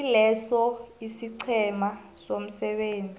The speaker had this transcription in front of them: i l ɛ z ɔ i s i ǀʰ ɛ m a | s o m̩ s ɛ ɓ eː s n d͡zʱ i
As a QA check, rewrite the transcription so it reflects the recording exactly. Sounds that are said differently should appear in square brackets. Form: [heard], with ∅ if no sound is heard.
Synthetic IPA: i l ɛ [s] ɔ i s i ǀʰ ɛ m a | s o m̩ s ɛ ɓ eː [∅] n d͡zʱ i